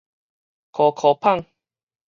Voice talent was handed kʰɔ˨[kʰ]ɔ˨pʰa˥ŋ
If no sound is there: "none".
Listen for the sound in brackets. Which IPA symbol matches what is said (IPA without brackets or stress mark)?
kʰ